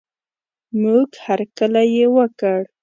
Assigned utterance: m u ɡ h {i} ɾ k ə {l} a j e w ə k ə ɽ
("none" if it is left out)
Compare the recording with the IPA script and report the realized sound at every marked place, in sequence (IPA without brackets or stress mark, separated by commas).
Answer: a, l